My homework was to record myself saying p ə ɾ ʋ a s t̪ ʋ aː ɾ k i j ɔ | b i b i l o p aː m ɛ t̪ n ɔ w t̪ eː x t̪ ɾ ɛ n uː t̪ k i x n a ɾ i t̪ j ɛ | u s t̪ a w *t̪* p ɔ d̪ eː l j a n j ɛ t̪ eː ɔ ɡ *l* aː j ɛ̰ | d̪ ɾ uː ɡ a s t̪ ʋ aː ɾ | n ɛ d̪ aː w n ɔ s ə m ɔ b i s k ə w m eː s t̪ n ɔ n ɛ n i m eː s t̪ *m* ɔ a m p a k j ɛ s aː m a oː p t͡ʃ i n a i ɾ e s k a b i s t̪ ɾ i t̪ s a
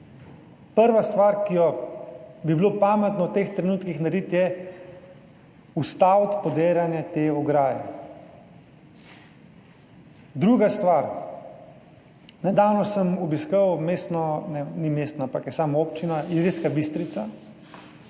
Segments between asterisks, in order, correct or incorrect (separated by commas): correct, incorrect, incorrect